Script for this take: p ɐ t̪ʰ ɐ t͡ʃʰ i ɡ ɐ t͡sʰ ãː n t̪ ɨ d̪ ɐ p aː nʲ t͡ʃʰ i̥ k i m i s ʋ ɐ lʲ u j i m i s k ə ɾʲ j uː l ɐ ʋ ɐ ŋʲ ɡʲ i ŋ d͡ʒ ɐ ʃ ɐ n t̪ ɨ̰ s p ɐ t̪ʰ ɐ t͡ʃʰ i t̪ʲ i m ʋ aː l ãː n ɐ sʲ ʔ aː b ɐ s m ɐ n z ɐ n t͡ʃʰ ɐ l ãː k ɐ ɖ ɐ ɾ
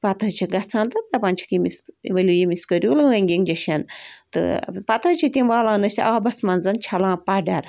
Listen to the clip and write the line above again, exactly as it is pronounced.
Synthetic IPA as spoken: p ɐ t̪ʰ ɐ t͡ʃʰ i ɡ ɐ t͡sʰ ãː n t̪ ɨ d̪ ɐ p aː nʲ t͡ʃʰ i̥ k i m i s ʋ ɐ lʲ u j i m i s k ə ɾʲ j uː l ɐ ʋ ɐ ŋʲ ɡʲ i ŋ d͡ʒ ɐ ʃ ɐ n t̪ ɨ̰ p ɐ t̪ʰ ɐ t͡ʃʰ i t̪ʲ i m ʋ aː l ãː n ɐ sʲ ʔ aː b ɐ s m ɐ n z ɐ n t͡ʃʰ ɐ l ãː p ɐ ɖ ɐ ɾ